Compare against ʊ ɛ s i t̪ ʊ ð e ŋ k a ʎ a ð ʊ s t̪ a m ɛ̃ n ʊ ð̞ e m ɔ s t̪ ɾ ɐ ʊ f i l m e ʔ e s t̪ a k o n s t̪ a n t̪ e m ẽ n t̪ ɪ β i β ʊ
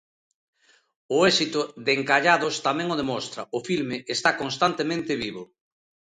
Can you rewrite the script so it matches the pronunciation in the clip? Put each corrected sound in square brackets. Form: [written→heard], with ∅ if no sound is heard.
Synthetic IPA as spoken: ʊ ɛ s i t̪ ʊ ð e ŋ k a ʎ a ð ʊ s t̪ a m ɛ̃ [n→ŋ] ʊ ð̞ e m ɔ s t̪ ɾ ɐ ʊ f i l m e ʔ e s t̪ a k o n s t̪ a n t̪ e m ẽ n t̪ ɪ β i β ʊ